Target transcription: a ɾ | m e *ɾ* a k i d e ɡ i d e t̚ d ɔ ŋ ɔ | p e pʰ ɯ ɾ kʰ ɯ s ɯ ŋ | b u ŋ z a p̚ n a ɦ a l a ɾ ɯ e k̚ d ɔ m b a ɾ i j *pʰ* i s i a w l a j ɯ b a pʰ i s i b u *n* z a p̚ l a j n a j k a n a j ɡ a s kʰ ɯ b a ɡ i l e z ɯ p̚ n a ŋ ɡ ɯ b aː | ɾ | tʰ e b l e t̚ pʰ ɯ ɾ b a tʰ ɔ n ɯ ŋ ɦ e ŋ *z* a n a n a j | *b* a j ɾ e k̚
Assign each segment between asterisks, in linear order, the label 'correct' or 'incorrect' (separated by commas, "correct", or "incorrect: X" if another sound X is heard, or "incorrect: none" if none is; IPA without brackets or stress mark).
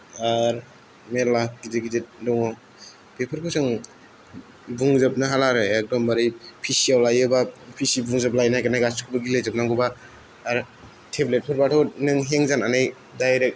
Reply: incorrect: l, correct, incorrect: ŋ, correct, incorrect: d